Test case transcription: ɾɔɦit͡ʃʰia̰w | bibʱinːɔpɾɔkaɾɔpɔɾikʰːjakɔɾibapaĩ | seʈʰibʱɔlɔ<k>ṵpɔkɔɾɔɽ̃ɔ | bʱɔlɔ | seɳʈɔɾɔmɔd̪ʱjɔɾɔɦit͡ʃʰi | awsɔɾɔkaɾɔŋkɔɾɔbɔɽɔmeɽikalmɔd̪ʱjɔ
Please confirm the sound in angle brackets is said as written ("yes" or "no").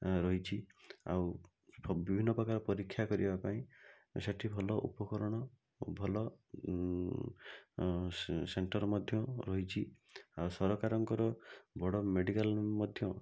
no